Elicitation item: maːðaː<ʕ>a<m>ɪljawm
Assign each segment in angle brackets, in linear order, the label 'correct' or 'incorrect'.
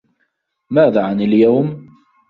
correct, incorrect: n

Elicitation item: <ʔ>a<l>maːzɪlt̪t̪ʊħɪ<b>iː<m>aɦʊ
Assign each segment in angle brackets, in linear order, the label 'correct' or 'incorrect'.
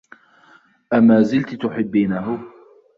correct, incorrect: none, incorrect: bː, incorrect: n

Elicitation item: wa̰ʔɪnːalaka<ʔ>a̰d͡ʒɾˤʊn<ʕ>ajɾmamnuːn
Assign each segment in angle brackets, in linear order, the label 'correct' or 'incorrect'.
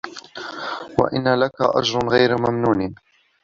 correct, incorrect: ɣ

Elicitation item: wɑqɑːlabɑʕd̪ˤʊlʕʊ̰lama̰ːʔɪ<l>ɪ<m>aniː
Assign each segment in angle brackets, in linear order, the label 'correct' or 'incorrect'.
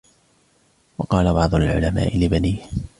correct, incorrect: b

